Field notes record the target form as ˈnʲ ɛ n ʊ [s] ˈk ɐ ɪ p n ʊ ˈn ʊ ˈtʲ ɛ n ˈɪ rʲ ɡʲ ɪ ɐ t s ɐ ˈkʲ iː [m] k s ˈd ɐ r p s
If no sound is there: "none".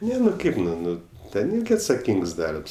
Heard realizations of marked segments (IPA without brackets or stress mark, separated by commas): none, ŋ